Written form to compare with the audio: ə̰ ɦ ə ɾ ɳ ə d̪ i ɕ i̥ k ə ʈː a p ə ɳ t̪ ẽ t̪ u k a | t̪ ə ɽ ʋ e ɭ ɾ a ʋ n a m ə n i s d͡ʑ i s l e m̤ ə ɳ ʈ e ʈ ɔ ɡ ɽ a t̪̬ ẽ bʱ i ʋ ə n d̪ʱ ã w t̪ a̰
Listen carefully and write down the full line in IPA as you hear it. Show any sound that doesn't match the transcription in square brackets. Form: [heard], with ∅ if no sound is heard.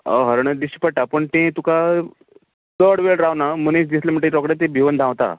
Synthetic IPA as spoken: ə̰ ɦ ə ɾ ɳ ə d̪ i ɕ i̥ [p] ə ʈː a p ə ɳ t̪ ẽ t̪ u k a | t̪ ə ɽ ʋ e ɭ ɾ a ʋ n a m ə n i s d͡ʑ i s l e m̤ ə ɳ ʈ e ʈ ɔ [k] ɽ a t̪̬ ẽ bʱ i ʋ ə n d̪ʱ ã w t̪ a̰